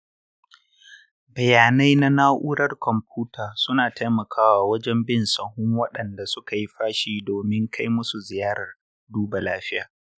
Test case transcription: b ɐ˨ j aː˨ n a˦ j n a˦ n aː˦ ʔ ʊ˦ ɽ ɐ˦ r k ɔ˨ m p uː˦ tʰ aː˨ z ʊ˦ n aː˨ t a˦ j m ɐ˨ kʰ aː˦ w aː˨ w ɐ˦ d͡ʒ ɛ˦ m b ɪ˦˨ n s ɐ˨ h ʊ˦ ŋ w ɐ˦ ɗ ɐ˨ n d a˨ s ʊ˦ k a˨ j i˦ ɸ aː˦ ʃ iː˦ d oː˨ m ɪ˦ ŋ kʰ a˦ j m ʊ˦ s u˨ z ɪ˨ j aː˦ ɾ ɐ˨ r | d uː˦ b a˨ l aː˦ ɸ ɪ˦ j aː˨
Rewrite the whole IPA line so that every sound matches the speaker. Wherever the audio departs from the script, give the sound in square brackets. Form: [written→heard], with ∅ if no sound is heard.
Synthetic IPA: b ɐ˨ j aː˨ n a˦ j n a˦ n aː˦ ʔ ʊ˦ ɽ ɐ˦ r k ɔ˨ m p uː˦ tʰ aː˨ [z→s] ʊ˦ n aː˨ t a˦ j m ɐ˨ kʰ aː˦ w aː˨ w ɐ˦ d͡ʒ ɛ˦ m b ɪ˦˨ n s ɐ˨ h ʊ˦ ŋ w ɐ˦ ɗ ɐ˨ n d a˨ s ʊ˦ k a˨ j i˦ ɸ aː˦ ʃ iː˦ d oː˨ m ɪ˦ ŋ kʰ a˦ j m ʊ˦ s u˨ z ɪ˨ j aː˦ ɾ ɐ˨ r | d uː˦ b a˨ l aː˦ ɸ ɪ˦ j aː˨